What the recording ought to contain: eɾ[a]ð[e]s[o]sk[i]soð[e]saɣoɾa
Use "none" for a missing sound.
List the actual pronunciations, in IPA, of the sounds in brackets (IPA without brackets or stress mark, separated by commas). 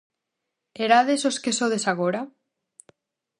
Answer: a, e, o, e, e